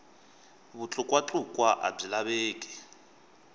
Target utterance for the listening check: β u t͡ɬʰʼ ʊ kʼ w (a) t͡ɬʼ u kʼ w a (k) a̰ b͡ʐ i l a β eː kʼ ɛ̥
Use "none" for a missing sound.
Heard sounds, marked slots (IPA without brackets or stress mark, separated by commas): a, ʔ